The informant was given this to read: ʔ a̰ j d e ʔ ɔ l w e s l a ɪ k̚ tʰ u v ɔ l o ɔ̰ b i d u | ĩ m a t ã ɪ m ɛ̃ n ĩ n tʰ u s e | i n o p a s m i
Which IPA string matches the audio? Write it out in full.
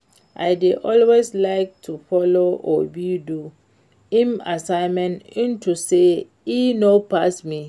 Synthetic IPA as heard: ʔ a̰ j d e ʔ ɔ l w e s l a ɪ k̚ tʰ u f ɔ l o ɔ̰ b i d u | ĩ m a s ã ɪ m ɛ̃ n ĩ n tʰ u s e | i n o p a s m i

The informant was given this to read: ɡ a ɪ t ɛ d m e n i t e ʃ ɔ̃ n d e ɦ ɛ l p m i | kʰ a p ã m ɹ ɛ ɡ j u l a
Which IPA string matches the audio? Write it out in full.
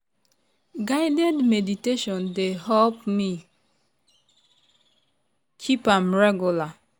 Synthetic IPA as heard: ɡ a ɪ d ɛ d m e d i t e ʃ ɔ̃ n d e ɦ ɛ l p m i | kʰ i p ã m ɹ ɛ ɡ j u l a

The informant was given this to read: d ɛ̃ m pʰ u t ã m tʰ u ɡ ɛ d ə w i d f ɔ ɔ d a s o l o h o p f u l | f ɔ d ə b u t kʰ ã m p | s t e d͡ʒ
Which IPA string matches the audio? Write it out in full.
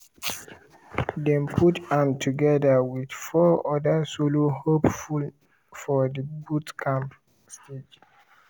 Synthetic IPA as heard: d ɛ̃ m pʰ u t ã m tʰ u ɡ ɛ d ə w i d f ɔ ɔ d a s o l o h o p f u l | f ɔ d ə b u t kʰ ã m p | s t e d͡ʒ

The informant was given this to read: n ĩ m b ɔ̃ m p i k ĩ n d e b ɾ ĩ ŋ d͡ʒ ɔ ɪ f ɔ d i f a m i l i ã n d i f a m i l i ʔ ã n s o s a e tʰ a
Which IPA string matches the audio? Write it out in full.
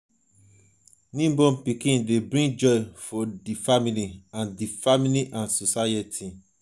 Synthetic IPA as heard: n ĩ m b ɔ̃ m p i k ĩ n d e b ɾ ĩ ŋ d͡ʒ ɔ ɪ f ɔ d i f a m i l i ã n d i f a m i l i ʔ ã n s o s a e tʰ i

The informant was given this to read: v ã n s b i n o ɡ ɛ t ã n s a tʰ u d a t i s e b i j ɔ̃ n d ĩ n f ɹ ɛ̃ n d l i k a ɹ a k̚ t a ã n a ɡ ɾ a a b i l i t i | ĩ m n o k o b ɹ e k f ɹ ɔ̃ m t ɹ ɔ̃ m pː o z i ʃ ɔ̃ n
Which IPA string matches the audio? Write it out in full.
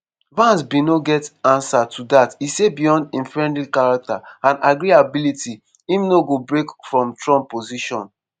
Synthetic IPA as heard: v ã n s b i n o ɡ ɛ t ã n s a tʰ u d a t i s e b i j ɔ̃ n d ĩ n f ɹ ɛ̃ n d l i k a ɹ a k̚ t a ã n a ɡ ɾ i a b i l i t i | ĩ m n o ɡ o b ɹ e k f ɹ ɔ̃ m t ɹ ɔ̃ m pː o z i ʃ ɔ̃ n

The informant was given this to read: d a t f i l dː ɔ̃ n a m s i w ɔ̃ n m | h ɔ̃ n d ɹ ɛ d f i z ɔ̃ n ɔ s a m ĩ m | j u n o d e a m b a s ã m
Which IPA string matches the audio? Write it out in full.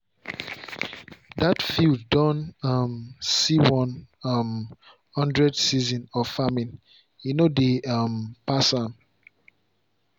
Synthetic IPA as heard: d a t f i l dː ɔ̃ n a m s i w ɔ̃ n m | h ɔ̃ n d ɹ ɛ d s i z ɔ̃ n ɔ f a m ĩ n | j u n o d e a m p a s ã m

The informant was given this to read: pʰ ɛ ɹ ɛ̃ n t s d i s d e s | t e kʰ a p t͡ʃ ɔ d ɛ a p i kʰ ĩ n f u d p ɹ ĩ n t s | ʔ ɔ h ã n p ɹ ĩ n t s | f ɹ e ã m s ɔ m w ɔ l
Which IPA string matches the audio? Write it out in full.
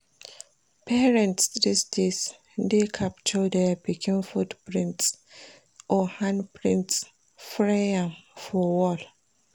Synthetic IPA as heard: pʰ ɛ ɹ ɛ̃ n t s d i s d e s | d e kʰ a p t͡ʃ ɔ d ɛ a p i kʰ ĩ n f u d p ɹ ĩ n t s | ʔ ɔ h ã n p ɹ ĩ n t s | f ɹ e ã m f ɔ w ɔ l

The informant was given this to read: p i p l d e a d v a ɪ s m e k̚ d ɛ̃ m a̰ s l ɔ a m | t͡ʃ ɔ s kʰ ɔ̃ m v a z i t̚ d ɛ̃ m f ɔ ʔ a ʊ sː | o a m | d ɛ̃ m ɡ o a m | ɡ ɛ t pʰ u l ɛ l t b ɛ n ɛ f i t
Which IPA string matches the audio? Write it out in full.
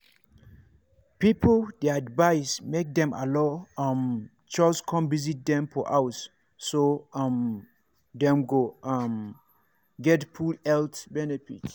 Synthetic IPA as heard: p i p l d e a d v a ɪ s m e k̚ d ɛ̃ m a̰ l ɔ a m | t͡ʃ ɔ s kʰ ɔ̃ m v i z i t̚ d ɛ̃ m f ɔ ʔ a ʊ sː | o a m | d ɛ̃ m ɡ o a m | ɡ ɛ t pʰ u l ɛ l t b ɛ n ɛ f i t

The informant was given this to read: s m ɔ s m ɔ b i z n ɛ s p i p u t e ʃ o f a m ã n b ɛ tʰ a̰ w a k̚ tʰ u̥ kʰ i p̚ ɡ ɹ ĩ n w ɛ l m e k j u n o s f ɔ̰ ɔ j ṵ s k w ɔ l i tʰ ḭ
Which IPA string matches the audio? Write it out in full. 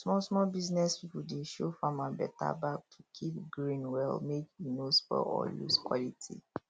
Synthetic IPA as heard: s m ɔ s m ɔ b i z n ɛ s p i p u d e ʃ o f a m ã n b ɛ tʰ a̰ b a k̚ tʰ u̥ kʰ i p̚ ɡ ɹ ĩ n w ɛ l m e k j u n o s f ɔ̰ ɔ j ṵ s k w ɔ l i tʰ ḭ

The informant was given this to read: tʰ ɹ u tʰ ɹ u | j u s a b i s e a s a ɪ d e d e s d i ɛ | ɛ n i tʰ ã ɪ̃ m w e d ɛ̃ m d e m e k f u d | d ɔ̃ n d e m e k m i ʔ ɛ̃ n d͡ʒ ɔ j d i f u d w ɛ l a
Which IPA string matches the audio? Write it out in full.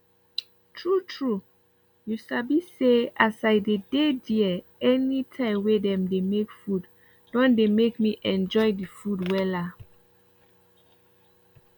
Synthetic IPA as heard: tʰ ɹ u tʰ ɹ u | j u s a b i s e a s a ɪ d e d e d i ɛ | ɛ n i tʰ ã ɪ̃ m w e d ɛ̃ m d e m e k f u d | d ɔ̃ n d e m e k m i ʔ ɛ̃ n d͡ʒ ɔ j d i f u d w ɛ l a

